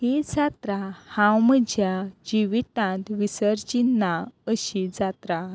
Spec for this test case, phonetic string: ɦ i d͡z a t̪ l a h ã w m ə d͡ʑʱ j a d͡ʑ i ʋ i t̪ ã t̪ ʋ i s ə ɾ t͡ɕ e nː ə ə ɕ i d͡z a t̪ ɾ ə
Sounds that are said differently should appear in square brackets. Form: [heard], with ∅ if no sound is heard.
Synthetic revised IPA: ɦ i d͡z a t̪ [ɾ] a h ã w m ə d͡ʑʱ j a d͡ʑ i ʋ i t̪ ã t̪ ʋ i s ə ɾ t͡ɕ [i] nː [a] ə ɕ i d͡z a t̪ ɾ [a]